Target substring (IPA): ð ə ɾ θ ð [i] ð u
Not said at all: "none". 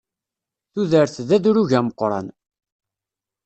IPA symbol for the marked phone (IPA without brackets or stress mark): æ